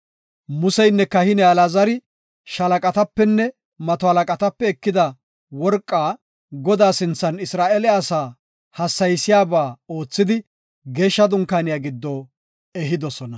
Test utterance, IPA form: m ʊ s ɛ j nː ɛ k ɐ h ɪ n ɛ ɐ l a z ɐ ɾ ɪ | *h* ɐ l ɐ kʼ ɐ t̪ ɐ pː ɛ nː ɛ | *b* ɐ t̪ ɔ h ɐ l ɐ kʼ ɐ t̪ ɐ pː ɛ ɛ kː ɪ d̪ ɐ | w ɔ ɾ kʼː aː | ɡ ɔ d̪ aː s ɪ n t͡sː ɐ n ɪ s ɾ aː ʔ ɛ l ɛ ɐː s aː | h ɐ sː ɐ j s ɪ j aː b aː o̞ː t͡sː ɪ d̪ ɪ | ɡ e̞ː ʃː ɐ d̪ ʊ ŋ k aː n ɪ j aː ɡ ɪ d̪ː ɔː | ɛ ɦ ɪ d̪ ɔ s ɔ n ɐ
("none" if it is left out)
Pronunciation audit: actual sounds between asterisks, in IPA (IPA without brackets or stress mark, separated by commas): ʃ, m